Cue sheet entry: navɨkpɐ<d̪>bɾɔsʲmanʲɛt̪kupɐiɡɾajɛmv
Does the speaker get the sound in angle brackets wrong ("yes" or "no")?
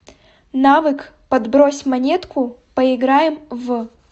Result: no